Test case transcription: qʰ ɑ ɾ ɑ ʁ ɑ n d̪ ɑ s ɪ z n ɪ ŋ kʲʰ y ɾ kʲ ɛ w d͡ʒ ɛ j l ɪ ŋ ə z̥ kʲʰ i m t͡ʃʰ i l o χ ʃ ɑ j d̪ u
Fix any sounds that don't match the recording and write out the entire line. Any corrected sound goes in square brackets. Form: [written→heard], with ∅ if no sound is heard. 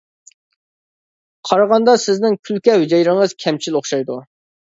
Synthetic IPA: qʰ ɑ ɾ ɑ ʁ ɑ n d̪ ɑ s ɪ z n ɪ ŋ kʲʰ y [ɾ→l] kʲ ɛ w d͡ʒ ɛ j [l→ɾ] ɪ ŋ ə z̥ kʲʰ [i→ɛ] m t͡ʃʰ i l o χ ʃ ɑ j d̪ u